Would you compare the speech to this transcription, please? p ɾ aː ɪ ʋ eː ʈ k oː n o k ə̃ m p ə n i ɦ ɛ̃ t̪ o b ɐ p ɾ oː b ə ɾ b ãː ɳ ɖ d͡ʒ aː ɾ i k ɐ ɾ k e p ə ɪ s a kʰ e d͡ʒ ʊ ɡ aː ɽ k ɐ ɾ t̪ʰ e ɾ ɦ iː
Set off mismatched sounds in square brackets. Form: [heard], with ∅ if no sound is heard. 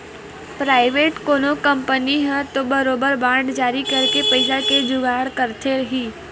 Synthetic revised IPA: p ɾ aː ɪ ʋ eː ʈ k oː n o k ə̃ m p ə n i ɦ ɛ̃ t̪ o b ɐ [∅] ɾ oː b ə ɾ b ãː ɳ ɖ d͡ʒ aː ɾ i k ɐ ɾ k e p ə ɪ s a [k] e d͡ʒ ʊ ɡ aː ɽ k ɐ ɾ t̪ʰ e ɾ ɦ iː